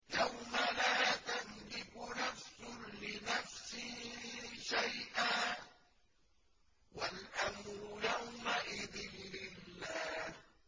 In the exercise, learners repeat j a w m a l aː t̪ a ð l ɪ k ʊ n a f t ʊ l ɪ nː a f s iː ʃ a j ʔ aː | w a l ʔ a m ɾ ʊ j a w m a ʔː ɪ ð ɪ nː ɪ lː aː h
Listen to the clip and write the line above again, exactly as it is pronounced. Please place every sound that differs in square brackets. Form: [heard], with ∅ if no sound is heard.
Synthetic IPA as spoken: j a w m a l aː t̪ a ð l ɪ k ʊ n a f [s] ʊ l ɪ [n] a f s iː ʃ a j ʔ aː | w a l ʔ a m ɾ ʊ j a w m a [ʔ] ɪ ð ɪ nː ɪ lː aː h

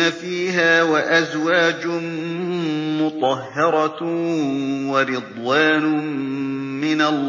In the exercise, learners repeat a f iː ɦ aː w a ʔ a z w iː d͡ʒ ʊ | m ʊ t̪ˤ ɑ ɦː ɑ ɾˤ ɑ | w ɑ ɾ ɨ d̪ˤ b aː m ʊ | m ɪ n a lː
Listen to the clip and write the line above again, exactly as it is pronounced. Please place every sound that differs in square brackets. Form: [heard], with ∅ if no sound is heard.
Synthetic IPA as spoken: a f iː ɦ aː w a ʔ a z w [aː] d͡ʒ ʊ | m ʊ t̪ˤ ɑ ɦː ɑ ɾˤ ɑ | w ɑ ɾ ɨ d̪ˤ [w] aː [n] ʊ | m ɪ n a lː

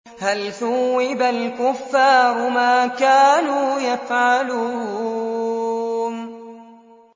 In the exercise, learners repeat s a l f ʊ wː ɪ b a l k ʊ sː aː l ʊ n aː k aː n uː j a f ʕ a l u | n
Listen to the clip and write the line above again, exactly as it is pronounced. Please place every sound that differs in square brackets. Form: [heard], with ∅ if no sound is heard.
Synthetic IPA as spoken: [h] a l [θ] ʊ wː ɪ b a l k ʊ [fː] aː [ɾ] ʊ [m] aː k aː n uː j a f ʕ a l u | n

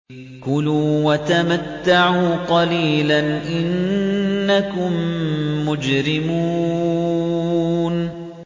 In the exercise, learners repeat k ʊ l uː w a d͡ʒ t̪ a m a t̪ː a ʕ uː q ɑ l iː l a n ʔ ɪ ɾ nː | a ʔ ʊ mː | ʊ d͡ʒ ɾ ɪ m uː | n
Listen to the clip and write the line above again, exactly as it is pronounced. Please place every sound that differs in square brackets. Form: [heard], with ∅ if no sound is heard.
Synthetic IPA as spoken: k ʊ l uː w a [∅] t̪ a m a t̪ː a ʕ uː q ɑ l iː l a n ʔ ɪ [∅] nː | a [k] ʊ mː | ʊ d͡ʒ ɾ ɪ m uː | n

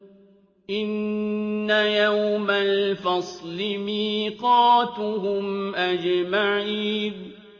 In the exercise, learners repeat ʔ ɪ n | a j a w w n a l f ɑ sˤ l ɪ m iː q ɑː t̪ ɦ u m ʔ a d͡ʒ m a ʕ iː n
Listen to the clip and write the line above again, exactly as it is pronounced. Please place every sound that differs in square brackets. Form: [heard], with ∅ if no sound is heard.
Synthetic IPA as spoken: ʔ ɪ [nː] | a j a w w [m] a l f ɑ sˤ l ɪ m iː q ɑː t̪ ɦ [ʊ] m ʔ a d͡ʒ m a ʕ iː n

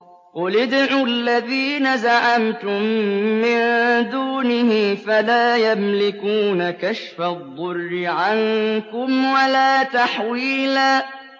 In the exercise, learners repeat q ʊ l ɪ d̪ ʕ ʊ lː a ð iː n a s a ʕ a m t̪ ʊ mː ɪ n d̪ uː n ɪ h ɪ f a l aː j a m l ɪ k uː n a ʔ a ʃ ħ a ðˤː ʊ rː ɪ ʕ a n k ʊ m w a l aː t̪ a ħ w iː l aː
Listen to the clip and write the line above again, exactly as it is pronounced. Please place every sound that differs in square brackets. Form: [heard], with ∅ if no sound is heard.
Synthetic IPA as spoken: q ʊ l ɪ d̪ ʕ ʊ lː a ð iː n a [z] a ʕ a m t̪ ʊ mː ɪ n d̪ uː n ɪ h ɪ f a l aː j a m l ɪ k uː n a [k] a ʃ [f] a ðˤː ʊ rː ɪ ʕ a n k ʊ m w a l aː t̪ a ħ w iː l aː

